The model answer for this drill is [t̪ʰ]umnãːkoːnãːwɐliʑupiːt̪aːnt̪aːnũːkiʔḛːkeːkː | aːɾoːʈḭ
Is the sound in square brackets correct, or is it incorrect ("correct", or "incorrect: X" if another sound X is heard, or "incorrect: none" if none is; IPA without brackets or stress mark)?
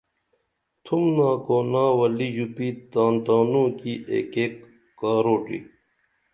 correct